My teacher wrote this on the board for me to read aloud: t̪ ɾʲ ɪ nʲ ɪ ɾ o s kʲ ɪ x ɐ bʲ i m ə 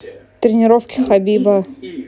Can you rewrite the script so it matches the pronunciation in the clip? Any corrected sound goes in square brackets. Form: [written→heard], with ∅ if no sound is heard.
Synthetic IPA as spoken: t̪ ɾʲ ɪ nʲ ɪ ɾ o [s→f] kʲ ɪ x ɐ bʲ i [m→b] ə